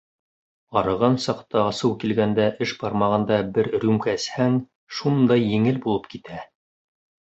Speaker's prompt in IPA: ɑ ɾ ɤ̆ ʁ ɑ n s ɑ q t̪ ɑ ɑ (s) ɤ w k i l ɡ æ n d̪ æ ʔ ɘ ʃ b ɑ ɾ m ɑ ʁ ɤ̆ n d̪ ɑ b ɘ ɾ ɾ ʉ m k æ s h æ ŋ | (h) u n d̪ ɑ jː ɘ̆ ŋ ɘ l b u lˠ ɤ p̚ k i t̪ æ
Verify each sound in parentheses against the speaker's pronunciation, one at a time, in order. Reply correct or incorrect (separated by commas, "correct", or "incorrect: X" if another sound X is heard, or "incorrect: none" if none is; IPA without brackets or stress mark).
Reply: correct, incorrect: ʃ